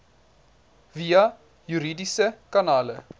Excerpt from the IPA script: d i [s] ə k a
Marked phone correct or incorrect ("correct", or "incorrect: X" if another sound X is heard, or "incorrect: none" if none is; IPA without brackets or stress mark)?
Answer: correct